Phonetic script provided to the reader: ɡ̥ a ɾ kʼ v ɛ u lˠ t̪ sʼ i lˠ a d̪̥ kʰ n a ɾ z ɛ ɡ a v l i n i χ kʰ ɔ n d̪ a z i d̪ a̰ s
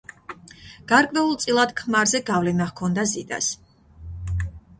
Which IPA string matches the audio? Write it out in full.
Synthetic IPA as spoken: ɡ̥ a ɾ kʼ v ɛ u lˠ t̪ sʼ i lˠ a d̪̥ kʰ m a ɾ z ɛ ɡ a v l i n a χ kʰ ɔ n d̪ a z i d̪ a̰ s